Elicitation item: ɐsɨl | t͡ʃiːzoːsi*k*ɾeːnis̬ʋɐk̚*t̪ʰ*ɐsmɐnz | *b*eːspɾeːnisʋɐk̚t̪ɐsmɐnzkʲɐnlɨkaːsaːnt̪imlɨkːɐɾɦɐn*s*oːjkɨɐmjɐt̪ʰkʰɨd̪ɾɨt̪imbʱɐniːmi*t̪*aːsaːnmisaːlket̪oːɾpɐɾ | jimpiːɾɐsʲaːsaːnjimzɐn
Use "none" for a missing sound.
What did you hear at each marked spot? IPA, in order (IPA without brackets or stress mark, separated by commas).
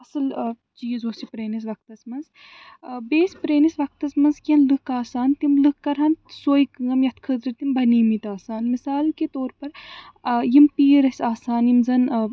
p, t̪, b, s, t̪